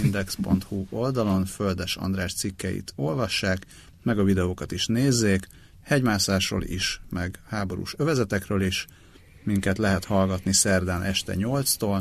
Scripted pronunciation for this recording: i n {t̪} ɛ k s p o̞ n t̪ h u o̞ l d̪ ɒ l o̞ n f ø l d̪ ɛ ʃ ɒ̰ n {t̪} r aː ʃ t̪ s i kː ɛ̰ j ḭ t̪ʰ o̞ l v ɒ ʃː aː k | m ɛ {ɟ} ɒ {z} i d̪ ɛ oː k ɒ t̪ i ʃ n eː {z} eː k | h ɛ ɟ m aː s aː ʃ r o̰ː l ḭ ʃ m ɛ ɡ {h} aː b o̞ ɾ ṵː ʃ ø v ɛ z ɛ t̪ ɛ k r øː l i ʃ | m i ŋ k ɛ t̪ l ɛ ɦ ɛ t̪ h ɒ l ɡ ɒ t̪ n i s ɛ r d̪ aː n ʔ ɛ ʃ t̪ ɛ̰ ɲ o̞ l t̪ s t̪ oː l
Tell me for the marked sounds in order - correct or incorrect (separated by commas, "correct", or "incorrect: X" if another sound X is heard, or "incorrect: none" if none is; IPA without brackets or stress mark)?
incorrect: d̪, incorrect: d̪, incorrect: ɡ, incorrect: v, incorrect: zː, correct